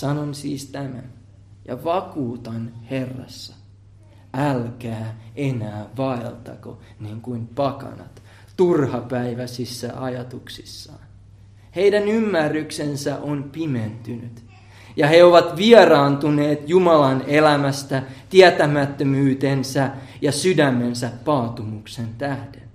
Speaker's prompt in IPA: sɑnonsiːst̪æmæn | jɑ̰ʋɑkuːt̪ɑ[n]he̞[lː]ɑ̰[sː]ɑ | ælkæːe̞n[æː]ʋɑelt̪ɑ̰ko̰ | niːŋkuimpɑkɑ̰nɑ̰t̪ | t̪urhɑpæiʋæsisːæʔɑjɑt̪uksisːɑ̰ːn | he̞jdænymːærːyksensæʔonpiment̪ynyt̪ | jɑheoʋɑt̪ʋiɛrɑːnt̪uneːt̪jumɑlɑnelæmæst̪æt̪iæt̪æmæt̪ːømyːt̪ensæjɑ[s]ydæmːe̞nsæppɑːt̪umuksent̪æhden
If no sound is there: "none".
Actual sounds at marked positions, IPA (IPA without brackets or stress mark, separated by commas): n, rː, sː, æː, s